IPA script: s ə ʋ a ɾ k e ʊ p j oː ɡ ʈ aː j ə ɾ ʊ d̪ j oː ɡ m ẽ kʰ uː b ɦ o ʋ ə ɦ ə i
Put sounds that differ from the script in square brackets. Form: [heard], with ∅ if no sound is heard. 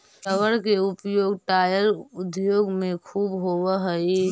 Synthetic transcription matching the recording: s ə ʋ [ə] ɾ k e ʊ p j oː ɡ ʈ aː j ə ɾ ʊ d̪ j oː ɡ m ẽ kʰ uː b ɦ o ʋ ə ɦ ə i